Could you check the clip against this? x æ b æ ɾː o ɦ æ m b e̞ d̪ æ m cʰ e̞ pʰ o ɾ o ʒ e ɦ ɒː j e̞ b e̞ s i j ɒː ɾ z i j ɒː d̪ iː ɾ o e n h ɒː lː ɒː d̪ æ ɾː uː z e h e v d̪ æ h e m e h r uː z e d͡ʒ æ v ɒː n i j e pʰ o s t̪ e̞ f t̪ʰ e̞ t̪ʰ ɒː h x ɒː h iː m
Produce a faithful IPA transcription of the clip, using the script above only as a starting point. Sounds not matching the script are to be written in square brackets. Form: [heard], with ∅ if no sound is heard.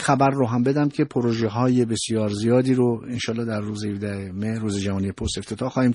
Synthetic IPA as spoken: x æ b æ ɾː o ɦ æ m b e̞ d̪ æ m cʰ e̞ pʰ o ɾ o ʒ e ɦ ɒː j e̞ b e̞ s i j ɒː ɾ z i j ɒː d̪ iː ɾ o e n [ʃ] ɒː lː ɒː d̪ æ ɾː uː z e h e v d̪ æ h e m e h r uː z e d͡ʒ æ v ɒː n i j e pʰ o s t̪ e̞ f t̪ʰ e̞ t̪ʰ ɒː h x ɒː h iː m